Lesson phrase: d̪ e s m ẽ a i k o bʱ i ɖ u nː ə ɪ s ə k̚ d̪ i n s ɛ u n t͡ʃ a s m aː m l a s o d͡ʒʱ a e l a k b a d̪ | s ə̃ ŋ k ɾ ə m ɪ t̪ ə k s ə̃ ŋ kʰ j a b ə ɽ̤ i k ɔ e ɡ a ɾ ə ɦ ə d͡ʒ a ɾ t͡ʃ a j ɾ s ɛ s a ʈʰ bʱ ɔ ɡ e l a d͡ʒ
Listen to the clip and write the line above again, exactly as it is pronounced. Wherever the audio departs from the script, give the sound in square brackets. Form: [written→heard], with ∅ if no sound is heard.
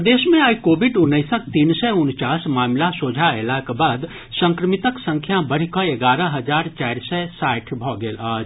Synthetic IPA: d̪ e s m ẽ a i k o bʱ i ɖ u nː ə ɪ s ə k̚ [d̪→t̪] i n s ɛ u n t͡ʃ a s m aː m l a s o d͡ʒʱ a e l a k b a d̪ | s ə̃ ŋ k ɾ ə m [ɪ→i] t̪ ə k s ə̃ ŋ kʰ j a b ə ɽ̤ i k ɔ e ɡ a ɾ ə ɦ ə d͡ʒ a ɾ t͡ʃ a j ɾ s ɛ s a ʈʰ bʱ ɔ ɡ e l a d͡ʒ